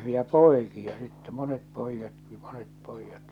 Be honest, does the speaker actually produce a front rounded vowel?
no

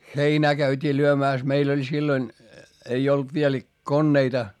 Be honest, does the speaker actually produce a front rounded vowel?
yes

